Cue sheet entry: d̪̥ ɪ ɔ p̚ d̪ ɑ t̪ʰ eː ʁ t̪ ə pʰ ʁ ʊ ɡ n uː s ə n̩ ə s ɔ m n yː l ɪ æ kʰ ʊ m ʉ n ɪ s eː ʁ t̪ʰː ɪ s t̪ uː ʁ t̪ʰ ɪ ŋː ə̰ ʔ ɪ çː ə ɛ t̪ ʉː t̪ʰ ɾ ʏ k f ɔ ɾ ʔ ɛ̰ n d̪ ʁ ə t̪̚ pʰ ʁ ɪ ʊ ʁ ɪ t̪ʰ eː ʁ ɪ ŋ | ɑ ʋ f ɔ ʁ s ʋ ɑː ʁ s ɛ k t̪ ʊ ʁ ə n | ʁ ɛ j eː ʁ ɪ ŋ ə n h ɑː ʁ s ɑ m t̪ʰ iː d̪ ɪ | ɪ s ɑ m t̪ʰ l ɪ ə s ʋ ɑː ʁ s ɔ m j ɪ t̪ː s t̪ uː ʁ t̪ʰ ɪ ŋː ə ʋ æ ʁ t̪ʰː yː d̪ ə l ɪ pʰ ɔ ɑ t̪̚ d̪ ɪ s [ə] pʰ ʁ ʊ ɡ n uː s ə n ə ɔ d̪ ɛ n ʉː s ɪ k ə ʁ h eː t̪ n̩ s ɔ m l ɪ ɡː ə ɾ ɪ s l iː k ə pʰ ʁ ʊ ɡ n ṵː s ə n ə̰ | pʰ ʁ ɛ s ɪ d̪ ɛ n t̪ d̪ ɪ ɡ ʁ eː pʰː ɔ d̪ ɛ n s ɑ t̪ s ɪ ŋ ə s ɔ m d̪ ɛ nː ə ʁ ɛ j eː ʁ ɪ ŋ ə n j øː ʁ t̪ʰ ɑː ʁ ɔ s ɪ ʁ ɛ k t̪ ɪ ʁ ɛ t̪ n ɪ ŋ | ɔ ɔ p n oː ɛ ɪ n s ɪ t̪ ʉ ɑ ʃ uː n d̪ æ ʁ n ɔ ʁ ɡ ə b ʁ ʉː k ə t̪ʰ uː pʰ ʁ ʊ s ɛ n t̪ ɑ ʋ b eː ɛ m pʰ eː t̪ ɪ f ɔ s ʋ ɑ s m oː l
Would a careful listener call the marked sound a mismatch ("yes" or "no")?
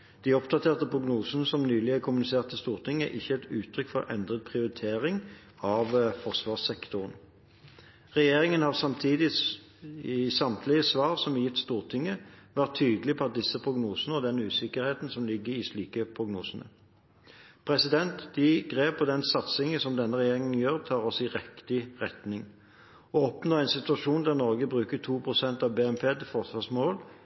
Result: no